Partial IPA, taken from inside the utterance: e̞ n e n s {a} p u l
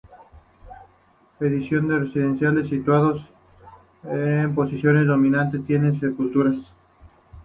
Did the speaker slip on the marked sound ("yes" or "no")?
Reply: yes